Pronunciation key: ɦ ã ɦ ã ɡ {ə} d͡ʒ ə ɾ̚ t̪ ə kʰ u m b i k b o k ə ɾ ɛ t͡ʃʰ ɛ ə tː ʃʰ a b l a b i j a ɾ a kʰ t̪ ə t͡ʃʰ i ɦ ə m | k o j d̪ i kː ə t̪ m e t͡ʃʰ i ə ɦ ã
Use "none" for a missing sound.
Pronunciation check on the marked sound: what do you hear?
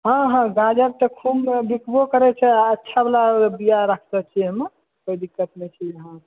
a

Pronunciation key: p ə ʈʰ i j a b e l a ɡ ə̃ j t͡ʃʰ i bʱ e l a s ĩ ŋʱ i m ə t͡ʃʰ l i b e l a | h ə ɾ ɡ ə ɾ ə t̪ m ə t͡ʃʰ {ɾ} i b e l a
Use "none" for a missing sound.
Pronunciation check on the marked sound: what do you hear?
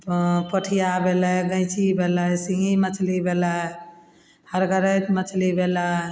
l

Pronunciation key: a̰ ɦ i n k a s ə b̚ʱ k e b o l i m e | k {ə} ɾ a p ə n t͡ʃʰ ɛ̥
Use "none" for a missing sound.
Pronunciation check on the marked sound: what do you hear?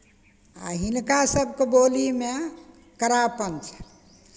ə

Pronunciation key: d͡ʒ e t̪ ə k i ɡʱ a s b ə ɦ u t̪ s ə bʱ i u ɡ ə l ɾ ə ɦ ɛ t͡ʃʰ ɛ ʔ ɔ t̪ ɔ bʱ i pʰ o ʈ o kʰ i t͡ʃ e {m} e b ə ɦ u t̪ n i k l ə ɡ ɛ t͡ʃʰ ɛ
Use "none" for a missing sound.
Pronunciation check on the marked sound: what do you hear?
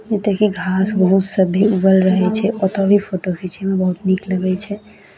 m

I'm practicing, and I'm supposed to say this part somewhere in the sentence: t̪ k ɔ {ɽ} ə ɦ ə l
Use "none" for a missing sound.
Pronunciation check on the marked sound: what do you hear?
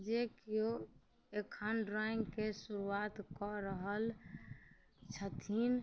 ɾ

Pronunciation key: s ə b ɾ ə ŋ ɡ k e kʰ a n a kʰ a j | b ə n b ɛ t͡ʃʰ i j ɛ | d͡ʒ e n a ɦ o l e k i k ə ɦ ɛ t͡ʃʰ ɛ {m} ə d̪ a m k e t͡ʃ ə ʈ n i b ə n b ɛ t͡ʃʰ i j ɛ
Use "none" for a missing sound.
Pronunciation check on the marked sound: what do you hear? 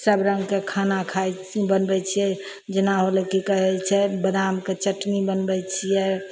b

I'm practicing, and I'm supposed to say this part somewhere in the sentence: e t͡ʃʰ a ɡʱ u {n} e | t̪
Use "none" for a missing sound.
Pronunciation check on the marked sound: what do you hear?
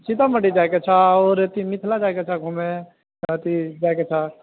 m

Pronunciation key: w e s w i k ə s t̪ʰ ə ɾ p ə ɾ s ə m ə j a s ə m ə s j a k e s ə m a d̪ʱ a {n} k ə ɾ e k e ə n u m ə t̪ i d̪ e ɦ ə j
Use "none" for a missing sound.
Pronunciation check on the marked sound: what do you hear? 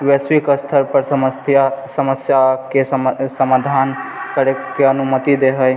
n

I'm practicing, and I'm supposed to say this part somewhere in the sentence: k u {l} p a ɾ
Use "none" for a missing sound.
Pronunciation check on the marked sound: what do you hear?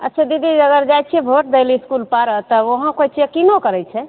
l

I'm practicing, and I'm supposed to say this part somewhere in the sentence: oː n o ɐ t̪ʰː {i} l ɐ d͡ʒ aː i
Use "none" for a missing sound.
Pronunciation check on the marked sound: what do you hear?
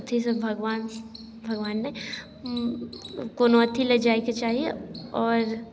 i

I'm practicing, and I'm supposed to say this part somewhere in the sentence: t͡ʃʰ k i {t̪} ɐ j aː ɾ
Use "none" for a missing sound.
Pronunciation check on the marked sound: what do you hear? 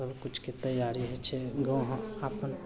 t̪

